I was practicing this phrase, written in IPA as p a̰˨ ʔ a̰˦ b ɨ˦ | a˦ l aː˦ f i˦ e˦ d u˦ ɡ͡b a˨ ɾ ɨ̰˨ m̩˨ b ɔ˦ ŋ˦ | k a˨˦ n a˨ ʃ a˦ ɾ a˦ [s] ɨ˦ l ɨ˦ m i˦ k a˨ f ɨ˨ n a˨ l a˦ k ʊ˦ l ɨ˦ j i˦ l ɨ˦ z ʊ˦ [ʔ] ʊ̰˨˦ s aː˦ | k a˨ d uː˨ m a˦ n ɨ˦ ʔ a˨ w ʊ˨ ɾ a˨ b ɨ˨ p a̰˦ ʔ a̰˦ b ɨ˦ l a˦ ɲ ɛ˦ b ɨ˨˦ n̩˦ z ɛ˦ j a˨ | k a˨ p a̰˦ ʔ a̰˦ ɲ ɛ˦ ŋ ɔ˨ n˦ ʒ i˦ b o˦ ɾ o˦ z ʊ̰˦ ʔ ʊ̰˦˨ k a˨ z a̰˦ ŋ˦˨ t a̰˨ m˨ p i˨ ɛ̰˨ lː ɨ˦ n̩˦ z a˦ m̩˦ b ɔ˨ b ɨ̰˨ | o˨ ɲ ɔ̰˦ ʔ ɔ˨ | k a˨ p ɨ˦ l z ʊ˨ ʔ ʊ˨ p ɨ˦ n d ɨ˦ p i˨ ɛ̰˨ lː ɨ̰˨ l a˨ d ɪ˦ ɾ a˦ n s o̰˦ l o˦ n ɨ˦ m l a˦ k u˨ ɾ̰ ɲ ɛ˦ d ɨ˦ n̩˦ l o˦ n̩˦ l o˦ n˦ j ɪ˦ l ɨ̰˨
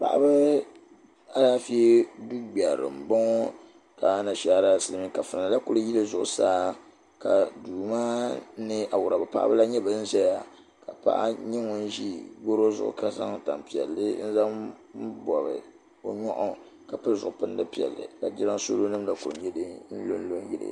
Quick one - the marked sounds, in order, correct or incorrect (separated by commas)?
correct, correct